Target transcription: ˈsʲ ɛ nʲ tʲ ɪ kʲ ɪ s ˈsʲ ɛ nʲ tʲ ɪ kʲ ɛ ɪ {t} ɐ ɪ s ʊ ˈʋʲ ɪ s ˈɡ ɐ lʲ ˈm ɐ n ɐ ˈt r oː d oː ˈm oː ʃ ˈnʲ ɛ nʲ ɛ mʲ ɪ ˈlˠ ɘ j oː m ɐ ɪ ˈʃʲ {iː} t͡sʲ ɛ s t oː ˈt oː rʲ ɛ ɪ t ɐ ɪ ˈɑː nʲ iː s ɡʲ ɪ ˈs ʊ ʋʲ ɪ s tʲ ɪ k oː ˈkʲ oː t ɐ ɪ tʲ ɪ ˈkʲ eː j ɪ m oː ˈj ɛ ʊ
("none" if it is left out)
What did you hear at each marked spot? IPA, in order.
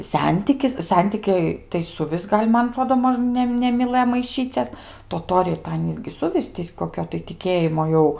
t, iː

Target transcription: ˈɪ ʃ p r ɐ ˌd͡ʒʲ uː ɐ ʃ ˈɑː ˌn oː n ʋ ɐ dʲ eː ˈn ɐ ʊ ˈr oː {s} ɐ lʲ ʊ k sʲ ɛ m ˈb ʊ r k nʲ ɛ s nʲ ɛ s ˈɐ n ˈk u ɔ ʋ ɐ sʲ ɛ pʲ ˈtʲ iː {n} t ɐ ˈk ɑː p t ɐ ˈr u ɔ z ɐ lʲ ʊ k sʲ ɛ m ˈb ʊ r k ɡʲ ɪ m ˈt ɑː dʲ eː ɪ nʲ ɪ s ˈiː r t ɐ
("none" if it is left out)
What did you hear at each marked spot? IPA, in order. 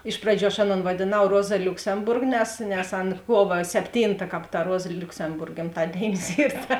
z, n

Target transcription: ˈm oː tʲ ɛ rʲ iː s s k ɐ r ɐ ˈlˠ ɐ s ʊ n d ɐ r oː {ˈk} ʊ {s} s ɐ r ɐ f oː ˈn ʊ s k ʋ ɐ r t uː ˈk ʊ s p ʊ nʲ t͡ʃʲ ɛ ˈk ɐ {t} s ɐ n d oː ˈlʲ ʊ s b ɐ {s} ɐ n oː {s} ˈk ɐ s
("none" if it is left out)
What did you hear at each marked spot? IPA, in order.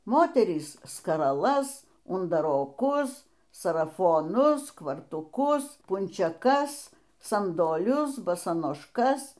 k, s, s, s, ʃ

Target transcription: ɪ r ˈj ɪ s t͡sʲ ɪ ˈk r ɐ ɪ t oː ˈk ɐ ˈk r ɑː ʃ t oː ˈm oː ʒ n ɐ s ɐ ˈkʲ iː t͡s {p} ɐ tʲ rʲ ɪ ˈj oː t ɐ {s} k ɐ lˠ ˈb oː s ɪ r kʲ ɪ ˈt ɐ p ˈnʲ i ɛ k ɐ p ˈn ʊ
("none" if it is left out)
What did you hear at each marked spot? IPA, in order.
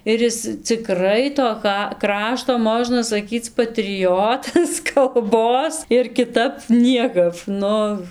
p, s

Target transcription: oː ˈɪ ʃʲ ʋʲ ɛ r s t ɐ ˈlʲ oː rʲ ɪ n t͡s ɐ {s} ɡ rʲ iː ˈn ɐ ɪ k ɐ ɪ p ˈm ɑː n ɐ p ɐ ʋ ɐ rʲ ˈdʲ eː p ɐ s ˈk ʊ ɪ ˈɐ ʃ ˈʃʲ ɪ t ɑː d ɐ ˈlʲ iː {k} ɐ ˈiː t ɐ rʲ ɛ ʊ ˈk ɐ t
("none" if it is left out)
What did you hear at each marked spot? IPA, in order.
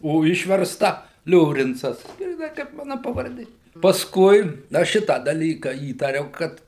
s, k

